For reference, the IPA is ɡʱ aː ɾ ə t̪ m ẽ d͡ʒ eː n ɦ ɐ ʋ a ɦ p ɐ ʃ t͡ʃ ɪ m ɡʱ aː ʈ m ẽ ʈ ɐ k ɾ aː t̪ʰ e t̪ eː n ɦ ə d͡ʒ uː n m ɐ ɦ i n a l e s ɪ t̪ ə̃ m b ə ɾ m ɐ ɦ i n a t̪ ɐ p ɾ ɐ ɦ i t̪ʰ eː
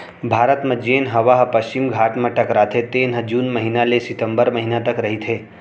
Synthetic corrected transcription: bʱ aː ɾ ə t̪ m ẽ d͡ʒ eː n ɦ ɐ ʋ a ɦ p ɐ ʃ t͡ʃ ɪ m ɡʱ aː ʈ m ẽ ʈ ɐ k ɾ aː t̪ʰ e t̪ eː n ɦ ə d͡ʒ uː n m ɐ ɦ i n a l e s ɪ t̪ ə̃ m b ə ɾ m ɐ ɦ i n a t̪ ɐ k ɾ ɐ ɦ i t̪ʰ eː

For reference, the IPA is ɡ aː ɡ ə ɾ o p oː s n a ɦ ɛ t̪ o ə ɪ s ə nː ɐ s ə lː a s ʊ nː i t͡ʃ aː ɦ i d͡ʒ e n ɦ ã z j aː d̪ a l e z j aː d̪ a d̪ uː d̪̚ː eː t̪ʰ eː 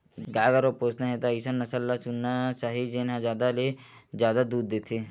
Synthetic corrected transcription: ɡ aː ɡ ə ɾ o p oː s n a ɦ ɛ t̪ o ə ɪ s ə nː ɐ s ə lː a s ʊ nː a t͡ʃ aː ɦ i d͡ʒ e n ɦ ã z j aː d̪ a l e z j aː d̪ a d̪ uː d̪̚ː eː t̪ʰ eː

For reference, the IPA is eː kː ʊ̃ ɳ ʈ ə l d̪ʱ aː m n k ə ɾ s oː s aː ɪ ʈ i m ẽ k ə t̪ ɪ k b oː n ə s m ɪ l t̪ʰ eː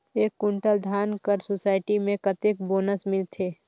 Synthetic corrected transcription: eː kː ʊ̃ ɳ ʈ ə l d̪ʱ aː n k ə ɾ s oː s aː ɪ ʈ i m ẽ k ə t̪ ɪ k b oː n ə s m ɪ l t̪ʰ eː

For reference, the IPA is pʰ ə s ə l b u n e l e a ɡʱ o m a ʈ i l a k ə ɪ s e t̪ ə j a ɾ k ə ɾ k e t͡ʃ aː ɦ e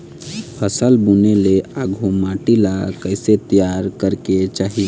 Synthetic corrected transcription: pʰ ə s ə l b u n e l e a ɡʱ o m a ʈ i l a k ə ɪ s e t̪ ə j a ɾ k ə ɾ k e t͡ʃ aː ɦ i

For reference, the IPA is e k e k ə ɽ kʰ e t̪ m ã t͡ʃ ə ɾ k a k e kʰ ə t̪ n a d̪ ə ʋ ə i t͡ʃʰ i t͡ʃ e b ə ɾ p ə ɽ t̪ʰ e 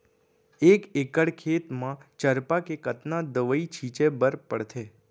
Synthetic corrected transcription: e k e k ə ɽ kʰ e t̪ m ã t͡ʃ ə ɾ p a k e k ə t̪ n a d̪ ə ʋ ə i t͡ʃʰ i t͡ʃ e b ə ɾ p ə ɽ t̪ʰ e

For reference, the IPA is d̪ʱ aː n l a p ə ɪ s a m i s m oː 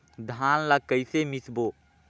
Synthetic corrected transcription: d̪ʱ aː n l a k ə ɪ s e m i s b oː

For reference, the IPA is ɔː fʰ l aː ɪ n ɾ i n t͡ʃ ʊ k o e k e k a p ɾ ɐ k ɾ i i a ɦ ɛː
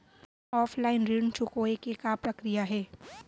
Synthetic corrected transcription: ɔː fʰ l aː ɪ n ɾ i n t͡ʃ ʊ k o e k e k a p ɾ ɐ k ɾ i j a ɦ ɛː

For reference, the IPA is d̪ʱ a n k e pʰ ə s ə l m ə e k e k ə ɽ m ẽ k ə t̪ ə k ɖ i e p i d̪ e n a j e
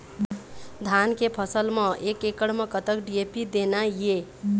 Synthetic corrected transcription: d̪ʱ a n k e pʰ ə s ə l m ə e k e k ə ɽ m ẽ k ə t̪ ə k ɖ i e p i d̪ e n a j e

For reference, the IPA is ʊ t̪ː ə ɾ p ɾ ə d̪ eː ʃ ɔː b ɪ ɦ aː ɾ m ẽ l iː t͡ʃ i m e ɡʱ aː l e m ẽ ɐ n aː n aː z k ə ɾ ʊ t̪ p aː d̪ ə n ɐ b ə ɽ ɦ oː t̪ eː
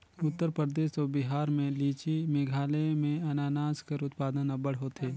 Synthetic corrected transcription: ʊ t̪ː ə ɾ p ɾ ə d̪ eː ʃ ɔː b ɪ ɦ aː ɾ m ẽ l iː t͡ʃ i m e ɡʱ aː l e m ẽ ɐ n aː n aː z k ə ɾ ʊ t̪ p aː d̪ ə n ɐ b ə ɽ ɦ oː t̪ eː

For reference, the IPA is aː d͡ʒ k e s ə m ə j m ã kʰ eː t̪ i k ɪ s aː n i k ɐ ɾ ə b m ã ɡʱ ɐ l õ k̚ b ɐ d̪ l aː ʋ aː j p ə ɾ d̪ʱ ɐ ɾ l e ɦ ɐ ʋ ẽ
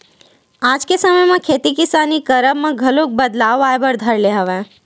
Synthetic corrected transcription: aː d͡ʒ k e s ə m ə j m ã kʰ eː t̪ i k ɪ s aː n i k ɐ ɾ ə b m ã ɡʱ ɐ l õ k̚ b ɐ d̪ l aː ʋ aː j b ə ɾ d̪ʱ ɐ ɾ l e ɦ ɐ ʋ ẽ

